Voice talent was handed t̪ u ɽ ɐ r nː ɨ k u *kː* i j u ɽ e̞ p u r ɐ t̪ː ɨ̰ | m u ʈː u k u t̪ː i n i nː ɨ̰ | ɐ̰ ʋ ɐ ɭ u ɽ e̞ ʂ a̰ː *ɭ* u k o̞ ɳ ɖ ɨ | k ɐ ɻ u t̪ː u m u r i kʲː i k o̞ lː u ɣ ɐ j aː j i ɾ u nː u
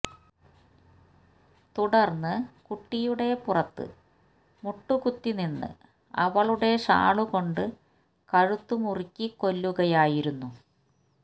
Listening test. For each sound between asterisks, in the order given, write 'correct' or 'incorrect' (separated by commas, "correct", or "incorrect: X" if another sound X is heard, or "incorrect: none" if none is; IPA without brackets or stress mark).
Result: incorrect: ʈː, correct